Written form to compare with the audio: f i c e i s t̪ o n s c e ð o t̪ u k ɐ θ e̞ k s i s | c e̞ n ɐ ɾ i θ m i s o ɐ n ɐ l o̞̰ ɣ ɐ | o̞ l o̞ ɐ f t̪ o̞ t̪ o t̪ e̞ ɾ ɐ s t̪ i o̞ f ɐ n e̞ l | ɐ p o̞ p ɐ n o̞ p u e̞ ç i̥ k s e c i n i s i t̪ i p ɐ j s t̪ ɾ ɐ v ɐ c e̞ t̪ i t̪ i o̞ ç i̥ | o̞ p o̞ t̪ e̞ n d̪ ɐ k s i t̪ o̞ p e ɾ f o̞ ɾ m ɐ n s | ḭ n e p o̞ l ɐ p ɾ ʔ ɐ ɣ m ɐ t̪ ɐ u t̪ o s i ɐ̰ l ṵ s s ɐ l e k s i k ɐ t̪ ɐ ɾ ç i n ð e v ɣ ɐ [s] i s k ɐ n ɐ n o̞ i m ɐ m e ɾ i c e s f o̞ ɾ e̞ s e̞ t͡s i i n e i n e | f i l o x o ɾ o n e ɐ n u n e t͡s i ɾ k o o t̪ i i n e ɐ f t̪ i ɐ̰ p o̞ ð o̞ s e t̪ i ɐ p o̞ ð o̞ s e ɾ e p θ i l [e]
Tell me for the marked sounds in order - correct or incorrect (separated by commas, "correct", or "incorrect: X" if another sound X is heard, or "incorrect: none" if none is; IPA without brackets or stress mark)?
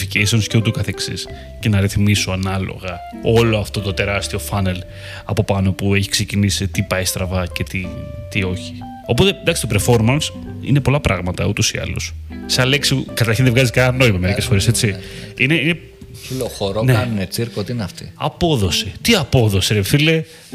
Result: incorrect: z, correct